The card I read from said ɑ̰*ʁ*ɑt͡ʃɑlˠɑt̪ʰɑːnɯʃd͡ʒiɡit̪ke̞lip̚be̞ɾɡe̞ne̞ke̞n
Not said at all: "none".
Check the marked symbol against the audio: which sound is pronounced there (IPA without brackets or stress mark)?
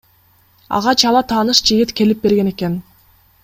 ʁ